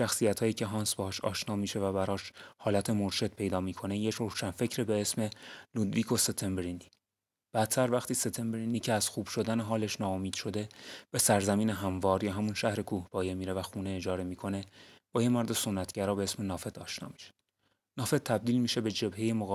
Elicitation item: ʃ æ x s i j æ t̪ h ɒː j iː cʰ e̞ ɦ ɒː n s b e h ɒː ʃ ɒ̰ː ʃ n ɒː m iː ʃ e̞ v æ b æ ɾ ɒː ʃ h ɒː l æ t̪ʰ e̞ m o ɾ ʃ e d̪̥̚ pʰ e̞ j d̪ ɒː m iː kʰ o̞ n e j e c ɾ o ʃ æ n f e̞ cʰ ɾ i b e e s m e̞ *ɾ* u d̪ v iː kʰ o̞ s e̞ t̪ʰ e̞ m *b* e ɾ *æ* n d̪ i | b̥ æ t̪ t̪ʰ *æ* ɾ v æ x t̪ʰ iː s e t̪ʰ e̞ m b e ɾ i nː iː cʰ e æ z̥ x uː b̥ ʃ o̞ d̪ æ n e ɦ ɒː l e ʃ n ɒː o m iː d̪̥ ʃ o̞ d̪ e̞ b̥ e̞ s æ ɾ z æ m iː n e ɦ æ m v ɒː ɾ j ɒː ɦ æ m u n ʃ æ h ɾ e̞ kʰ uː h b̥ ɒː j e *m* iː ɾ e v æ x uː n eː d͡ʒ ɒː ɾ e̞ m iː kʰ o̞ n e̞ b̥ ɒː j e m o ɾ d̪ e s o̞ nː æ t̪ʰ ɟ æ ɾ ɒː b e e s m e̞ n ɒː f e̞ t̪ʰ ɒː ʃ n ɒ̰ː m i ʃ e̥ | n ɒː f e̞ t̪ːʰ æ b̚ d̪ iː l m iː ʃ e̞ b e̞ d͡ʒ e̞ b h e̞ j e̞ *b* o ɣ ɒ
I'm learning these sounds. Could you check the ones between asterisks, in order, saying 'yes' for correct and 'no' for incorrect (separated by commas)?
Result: no, yes, no, yes, yes, no